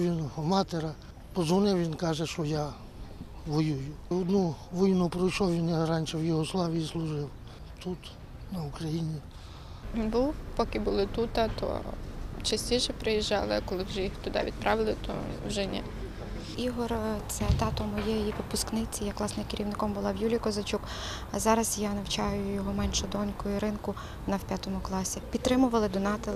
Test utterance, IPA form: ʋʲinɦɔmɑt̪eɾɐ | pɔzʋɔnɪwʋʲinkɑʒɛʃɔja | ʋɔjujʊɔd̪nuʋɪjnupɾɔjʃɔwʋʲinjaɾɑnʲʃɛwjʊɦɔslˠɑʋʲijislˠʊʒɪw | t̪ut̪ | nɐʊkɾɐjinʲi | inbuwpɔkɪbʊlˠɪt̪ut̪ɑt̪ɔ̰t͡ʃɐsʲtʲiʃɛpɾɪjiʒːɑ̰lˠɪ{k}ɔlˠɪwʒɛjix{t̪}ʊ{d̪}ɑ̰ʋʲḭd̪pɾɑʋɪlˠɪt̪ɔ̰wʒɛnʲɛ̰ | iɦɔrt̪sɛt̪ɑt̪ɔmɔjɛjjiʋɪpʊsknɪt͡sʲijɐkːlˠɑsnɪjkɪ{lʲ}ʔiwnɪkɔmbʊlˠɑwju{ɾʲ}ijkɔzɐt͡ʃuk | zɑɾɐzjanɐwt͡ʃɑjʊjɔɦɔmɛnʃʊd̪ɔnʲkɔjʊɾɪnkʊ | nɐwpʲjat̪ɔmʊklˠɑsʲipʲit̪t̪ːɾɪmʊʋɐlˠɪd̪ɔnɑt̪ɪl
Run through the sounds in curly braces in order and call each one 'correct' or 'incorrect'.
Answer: correct, correct, correct, incorrect, incorrect

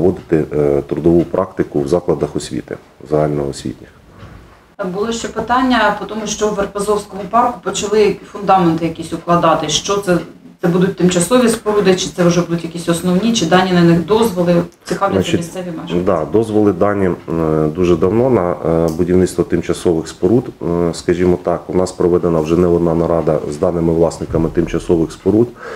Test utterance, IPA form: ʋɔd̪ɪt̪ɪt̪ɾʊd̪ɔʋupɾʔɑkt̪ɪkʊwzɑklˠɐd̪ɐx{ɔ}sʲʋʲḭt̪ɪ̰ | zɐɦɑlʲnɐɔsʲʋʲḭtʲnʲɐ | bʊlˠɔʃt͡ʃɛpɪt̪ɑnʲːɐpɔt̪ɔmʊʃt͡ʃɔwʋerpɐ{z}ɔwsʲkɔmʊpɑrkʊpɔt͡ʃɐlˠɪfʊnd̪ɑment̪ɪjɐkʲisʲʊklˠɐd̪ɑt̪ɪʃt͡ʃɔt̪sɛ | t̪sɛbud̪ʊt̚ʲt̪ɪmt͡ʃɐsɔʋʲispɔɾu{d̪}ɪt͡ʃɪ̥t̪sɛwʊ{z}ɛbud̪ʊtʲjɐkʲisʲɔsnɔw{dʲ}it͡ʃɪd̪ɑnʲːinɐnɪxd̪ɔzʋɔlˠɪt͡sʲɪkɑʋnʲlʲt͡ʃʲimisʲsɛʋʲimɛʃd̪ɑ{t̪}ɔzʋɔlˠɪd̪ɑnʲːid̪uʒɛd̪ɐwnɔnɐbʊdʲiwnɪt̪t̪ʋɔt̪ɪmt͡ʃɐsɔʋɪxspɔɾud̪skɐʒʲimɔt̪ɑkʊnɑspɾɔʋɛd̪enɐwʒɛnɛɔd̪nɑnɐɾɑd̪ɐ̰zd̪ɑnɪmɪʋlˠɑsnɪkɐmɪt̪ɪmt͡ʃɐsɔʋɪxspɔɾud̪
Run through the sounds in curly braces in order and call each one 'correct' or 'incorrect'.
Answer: correct, correct, correct, incorrect, incorrect, incorrect

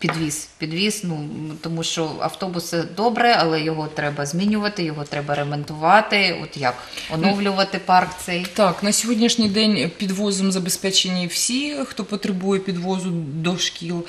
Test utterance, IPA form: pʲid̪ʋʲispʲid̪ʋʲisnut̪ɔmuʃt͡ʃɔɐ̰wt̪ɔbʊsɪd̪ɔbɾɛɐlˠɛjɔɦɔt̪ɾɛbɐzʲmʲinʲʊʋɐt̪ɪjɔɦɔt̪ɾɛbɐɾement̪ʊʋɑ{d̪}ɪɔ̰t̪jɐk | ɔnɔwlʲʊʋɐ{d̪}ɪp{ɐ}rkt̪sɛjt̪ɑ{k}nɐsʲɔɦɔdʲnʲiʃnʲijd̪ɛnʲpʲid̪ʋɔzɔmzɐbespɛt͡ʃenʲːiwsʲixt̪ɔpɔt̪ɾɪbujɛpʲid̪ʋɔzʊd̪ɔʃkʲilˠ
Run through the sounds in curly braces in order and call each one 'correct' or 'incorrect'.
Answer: incorrect, incorrect, incorrect, correct

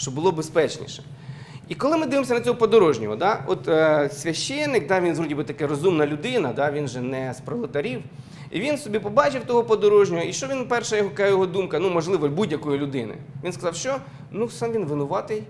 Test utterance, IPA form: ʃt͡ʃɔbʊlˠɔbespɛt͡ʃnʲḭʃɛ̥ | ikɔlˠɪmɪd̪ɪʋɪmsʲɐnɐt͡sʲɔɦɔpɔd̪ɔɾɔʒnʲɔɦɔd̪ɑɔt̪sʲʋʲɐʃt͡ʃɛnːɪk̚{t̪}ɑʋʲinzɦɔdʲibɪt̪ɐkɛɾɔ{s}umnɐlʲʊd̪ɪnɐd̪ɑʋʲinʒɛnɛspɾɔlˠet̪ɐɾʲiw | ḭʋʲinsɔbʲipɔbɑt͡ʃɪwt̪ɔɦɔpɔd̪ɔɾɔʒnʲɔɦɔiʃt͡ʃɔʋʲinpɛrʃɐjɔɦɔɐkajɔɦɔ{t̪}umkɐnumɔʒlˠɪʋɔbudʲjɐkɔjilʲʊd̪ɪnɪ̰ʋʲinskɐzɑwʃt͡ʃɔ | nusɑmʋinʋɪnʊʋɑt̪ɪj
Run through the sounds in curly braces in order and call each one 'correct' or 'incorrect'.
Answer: incorrect, incorrect, incorrect

